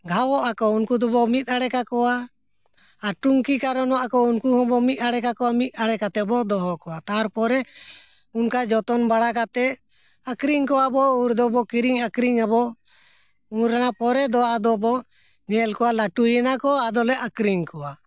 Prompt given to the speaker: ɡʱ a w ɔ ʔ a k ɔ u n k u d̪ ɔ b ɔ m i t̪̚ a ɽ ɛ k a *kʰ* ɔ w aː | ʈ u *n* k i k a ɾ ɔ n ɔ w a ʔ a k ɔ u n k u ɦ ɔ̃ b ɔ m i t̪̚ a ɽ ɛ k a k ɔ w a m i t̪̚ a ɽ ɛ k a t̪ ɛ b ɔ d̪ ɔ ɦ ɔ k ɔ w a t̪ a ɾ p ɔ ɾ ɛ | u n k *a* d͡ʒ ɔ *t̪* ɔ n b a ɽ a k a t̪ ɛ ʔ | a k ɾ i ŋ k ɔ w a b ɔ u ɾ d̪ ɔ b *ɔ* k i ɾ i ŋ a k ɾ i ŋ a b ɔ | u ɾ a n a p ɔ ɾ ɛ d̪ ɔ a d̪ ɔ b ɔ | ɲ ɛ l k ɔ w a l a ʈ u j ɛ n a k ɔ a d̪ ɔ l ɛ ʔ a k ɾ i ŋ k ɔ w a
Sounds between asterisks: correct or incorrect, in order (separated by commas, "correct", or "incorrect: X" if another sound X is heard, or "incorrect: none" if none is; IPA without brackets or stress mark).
incorrect: k, incorrect: ŋ, correct, correct, correct